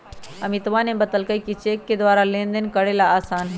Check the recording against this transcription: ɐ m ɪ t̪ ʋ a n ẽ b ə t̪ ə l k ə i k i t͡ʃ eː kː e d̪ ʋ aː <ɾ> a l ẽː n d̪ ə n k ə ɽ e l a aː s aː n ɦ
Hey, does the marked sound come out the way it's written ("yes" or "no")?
yes